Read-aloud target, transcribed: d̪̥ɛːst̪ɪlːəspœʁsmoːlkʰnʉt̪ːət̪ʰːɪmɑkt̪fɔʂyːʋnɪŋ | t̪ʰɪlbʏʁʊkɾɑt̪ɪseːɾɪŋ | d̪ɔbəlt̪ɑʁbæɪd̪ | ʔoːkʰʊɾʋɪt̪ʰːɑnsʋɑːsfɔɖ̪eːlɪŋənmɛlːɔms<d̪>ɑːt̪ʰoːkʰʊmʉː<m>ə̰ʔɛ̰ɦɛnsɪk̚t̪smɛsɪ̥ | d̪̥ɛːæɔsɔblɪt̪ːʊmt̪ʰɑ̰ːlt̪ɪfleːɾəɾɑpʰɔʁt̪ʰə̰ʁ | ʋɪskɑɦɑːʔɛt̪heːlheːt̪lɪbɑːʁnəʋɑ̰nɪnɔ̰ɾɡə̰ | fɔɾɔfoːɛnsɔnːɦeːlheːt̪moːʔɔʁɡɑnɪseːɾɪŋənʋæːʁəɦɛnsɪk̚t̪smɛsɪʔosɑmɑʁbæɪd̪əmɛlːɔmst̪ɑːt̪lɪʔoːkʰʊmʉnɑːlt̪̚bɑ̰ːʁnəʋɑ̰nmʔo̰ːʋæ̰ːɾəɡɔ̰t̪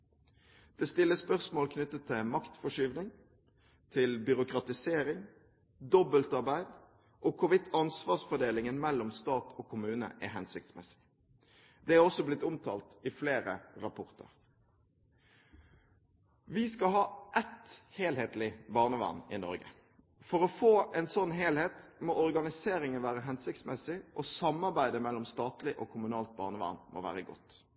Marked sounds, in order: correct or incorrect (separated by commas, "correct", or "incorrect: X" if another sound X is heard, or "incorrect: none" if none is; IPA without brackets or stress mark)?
incorrect: t̪, incorrect: n